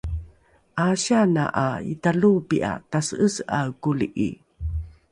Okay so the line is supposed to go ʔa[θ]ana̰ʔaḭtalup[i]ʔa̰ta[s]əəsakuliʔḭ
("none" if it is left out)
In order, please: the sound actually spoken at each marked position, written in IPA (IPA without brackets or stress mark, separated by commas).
ɕ, i, s